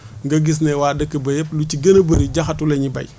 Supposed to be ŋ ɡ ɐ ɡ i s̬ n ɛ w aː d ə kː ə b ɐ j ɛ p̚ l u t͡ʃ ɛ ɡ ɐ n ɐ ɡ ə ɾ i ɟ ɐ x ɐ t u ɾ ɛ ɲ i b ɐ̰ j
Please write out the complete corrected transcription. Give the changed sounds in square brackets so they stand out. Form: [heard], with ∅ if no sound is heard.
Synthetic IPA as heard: ŋ ɡ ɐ ɡ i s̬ n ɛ w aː d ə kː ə b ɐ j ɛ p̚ l u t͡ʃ [i] ɡ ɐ n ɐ [b] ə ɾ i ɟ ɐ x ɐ t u [l] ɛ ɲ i b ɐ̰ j